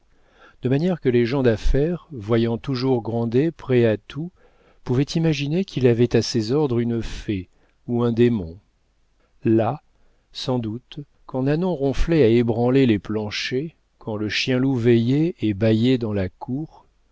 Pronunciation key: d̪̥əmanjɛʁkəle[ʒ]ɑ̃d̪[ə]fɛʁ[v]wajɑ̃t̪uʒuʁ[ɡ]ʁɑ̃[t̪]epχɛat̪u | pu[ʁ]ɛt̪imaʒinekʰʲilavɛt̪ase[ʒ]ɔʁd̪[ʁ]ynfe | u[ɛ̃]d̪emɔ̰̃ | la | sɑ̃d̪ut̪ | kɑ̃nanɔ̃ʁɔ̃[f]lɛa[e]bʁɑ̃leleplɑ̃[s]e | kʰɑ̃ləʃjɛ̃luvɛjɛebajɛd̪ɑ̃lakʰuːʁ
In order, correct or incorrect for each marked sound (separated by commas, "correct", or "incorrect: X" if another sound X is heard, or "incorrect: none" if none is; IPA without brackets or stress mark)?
correct, incorrect: a, correct, correct, incorrect: d̪, incorrect: v, incorrect: z, correct, correct, correct, correct, incorrect: ʃ